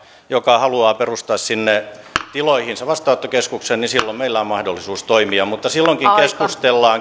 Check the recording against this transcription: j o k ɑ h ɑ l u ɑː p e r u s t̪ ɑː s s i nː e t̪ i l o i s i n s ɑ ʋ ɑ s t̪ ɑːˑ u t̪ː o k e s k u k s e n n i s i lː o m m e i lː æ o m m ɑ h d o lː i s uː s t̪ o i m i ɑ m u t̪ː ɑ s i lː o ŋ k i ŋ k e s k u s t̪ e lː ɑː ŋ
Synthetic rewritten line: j o k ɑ h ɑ l u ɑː p e r u s t̪ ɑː s s i nː e t̪ i l o i h i n s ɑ ʋ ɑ s t̪ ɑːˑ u t̪ː o k e s k u k s e n n i s i lː o m m e i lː æ o m m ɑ h d o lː i s uː s t̪ o i m i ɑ m u t̪ː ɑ s i lː o ŋ k i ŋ k e s k u s t̪ e lː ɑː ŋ